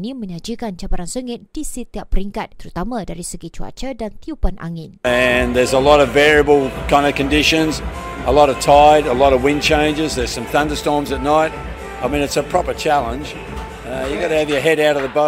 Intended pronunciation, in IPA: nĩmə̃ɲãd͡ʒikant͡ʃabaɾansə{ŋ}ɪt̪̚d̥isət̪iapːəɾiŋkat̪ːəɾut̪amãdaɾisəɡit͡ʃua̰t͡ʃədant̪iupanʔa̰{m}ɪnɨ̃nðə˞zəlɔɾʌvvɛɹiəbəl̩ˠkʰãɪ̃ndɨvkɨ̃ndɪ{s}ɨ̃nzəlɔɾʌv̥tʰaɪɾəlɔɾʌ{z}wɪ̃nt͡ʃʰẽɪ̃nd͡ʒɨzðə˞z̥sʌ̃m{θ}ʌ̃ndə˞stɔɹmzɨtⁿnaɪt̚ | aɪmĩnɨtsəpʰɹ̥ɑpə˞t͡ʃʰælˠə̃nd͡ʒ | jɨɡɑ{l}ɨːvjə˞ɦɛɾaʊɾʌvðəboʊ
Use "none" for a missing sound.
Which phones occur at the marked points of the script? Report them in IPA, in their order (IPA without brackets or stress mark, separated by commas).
ŋ, ŋ, ʃ, v, θ, ɾ